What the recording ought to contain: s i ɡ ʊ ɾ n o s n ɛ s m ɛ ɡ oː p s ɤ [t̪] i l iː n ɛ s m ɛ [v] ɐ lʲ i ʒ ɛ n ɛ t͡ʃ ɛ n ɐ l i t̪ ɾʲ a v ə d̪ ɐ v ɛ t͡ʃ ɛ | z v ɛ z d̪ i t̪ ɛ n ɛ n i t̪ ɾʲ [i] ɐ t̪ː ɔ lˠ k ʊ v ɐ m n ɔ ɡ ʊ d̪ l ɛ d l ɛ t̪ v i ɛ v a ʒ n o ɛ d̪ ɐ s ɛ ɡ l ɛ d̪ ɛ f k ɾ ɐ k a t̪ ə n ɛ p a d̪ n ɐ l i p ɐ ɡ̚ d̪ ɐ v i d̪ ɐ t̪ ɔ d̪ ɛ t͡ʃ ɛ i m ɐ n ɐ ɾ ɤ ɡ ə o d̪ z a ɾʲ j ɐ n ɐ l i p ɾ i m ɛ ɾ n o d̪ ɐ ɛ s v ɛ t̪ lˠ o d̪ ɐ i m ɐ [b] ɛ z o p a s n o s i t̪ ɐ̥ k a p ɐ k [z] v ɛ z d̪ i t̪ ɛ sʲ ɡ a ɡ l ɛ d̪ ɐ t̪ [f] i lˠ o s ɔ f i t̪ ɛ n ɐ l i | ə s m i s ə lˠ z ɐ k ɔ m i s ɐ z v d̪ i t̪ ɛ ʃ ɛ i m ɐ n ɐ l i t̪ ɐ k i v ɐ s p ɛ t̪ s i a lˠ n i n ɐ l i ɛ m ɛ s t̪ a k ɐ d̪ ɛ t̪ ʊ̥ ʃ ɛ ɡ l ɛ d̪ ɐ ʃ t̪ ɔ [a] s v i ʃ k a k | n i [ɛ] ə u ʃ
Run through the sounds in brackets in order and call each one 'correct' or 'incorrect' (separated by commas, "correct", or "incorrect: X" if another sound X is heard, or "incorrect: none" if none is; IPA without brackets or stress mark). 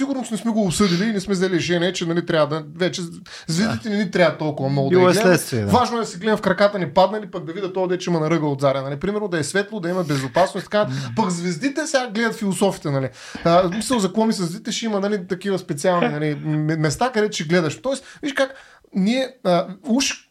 incorrect: d̪, incorrect: z, incorrect: a, correct, correct, correct, incorrect: ɛ, correct